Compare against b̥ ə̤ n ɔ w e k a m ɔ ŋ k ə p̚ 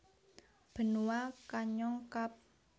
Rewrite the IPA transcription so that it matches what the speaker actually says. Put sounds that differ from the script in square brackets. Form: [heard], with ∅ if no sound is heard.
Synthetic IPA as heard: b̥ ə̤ n [u] w [a] k a [ɲ] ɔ ŋ k [a] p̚